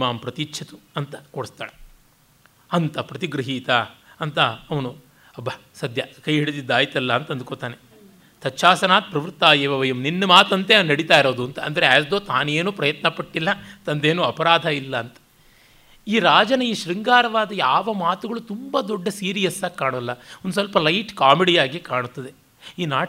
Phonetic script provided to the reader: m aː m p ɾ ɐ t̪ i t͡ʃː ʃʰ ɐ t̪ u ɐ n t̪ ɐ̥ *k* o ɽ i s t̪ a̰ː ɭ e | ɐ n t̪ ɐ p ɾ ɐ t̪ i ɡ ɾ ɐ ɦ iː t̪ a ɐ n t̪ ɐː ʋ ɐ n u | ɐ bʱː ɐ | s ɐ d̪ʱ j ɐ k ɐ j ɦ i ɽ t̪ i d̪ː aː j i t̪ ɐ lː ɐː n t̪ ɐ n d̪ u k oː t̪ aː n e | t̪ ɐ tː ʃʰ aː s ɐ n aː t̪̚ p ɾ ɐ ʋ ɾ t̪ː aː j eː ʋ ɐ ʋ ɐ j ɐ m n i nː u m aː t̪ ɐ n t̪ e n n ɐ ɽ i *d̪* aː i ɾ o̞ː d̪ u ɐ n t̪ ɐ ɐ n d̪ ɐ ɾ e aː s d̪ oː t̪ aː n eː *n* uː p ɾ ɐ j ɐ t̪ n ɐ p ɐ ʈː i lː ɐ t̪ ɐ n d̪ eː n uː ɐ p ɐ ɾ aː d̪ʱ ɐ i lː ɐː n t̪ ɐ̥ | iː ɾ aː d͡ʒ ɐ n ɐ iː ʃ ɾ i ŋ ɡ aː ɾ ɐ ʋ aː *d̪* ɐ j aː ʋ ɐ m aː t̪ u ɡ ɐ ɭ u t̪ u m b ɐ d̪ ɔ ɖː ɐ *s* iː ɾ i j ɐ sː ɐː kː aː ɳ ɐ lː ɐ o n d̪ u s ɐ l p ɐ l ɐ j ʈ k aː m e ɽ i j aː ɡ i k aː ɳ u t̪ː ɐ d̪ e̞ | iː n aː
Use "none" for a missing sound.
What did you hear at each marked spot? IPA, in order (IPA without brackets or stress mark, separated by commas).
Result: k, t̪, n, d̪, s